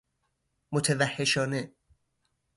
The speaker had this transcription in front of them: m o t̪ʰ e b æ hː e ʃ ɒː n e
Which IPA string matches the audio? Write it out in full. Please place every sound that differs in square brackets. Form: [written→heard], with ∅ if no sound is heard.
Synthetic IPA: m o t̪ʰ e [b→v] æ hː e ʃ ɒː n e